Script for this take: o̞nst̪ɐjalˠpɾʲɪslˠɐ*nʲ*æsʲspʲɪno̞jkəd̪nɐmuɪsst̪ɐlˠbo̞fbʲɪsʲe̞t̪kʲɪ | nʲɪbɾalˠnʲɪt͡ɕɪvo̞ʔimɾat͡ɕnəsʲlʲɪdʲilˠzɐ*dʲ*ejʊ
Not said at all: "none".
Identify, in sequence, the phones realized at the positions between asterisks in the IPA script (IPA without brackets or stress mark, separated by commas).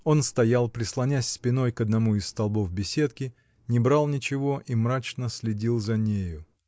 nʲ, nʲ